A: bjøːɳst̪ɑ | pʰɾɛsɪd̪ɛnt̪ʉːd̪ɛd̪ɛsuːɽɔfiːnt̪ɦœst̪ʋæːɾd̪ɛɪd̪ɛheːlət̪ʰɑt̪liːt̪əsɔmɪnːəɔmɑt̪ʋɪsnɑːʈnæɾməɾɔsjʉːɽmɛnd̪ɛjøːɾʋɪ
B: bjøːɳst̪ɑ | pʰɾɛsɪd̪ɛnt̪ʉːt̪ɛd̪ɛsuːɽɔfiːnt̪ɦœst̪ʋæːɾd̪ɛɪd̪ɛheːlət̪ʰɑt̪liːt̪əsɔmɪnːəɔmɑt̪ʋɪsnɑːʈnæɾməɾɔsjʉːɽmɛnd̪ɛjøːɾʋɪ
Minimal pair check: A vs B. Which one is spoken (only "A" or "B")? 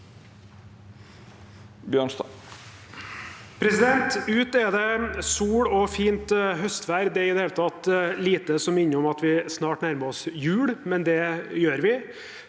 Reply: B